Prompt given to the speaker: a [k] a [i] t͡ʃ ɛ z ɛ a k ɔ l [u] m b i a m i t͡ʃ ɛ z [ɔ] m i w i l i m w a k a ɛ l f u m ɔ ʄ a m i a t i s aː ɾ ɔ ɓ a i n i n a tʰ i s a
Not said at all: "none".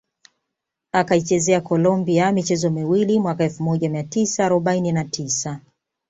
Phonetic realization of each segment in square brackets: k, i, ɔ, ɔ

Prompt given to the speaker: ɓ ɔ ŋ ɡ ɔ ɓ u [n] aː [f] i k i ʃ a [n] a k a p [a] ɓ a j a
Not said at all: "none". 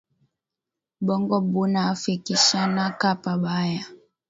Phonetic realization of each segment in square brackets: n, f, n, a

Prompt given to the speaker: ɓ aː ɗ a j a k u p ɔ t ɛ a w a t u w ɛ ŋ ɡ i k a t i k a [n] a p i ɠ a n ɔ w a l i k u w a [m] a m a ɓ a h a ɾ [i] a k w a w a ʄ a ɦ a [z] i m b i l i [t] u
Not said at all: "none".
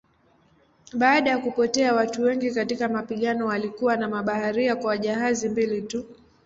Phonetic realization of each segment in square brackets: m, n, i, z, t

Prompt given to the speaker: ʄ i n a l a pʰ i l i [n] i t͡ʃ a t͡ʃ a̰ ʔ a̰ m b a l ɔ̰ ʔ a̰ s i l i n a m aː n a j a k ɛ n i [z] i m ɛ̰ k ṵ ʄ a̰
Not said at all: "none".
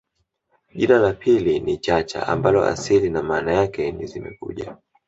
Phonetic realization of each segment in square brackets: n, z

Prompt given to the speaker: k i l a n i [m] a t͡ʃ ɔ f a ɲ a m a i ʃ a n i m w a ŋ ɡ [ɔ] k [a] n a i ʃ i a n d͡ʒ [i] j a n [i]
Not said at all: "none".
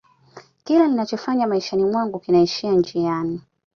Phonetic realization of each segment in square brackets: n, u, i, i, i

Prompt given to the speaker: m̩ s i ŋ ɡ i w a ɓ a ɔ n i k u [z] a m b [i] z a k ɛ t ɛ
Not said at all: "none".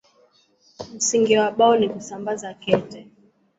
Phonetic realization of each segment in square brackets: s, a

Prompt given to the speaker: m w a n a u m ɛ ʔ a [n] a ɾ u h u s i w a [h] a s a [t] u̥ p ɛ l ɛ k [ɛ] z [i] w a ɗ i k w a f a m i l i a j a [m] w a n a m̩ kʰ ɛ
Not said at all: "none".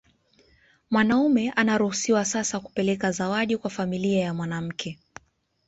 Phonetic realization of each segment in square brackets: n, s, k, a, a, m

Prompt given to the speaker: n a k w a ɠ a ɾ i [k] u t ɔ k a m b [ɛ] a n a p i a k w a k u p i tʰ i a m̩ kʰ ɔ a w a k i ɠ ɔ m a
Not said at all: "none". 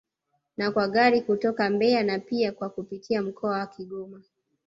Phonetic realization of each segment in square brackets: k, ɛ

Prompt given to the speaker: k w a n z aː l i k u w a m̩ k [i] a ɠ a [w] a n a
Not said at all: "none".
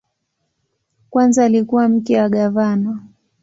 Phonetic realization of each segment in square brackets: ɛ, v

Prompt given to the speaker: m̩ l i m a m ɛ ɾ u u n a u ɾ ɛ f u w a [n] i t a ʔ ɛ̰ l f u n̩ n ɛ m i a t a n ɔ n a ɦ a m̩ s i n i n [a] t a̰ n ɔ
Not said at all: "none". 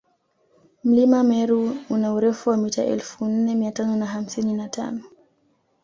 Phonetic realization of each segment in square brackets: m, a

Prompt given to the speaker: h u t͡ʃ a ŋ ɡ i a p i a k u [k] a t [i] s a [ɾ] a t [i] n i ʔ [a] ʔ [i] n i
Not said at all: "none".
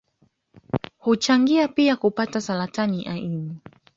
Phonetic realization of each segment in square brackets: p, a, l, a, a, i

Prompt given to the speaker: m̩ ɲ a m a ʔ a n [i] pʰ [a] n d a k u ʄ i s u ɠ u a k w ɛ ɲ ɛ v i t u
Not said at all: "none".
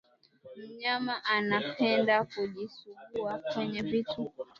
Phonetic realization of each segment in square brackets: a, ɛ

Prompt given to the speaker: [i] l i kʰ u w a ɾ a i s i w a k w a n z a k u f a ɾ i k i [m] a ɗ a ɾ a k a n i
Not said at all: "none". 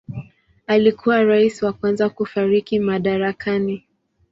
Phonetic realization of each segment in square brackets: a, m

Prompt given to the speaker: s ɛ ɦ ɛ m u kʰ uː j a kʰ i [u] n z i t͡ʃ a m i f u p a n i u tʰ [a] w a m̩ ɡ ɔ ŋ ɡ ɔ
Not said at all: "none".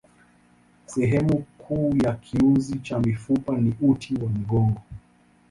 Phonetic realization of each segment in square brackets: u, i

